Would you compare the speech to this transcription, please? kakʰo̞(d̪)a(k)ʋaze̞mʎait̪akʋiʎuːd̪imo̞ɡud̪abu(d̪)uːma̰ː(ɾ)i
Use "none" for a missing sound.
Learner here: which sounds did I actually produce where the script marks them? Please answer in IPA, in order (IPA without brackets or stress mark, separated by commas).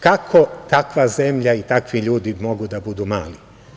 t̪, k, d̪, l